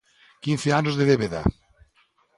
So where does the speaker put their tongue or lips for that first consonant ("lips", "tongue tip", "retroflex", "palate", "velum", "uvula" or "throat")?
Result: velum